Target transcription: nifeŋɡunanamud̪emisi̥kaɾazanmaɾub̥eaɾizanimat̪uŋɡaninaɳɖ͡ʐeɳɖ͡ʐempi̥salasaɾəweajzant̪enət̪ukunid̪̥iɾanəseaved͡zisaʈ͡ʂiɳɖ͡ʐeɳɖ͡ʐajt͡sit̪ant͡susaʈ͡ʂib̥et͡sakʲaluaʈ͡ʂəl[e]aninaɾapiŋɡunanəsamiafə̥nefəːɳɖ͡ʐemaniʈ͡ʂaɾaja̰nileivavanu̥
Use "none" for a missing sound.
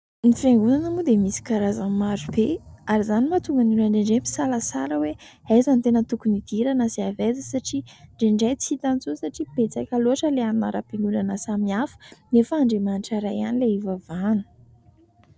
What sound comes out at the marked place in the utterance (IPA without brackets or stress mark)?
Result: e